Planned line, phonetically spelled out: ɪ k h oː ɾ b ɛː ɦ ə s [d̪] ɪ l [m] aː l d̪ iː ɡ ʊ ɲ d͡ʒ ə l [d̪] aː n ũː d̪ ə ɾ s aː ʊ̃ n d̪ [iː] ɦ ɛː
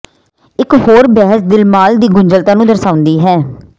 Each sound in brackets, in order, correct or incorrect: correct, correct, incorrect: t̪, correct

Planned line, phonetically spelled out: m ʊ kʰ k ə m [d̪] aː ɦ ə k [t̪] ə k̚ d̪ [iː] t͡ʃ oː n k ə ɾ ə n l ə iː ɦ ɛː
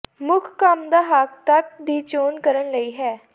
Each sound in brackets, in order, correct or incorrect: correct, correct, correct

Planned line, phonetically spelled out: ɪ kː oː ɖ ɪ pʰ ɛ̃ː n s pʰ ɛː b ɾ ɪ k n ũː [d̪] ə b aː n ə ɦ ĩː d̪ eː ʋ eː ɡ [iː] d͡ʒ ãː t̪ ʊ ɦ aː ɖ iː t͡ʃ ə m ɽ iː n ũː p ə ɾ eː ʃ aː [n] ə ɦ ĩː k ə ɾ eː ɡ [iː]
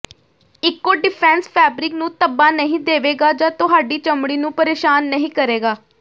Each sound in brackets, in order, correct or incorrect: incorrect: t̪, incorrect: aː, incorrect: nː, incorrect: aː

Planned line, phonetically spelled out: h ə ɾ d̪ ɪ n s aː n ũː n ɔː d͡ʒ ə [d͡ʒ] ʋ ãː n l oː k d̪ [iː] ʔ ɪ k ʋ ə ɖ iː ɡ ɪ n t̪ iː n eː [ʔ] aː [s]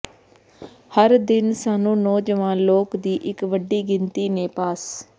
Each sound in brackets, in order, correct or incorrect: incorrect: none, correct, incorrect: p, correct

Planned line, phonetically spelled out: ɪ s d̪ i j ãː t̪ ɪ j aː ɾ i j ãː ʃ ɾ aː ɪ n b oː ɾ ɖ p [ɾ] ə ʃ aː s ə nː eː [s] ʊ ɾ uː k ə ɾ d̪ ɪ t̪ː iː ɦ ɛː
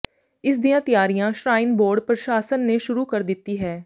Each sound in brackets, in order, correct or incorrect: correct, incorrect: ʃ

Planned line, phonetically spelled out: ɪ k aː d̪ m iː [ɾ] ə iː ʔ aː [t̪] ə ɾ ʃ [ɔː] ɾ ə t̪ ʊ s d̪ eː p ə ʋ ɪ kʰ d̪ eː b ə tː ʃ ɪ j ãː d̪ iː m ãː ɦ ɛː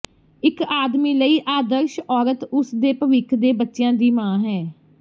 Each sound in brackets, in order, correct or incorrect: incorrect: l, incorrect: d̪, correct

